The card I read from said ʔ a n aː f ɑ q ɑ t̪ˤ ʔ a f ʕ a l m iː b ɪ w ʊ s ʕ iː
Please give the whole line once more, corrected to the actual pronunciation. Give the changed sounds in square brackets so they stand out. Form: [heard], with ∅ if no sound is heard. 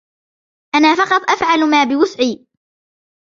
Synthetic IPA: ʔ a n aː f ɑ q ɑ t̪ˤ ʔ a f ʕ a l m [aː] b ɪ w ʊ s ʕ iː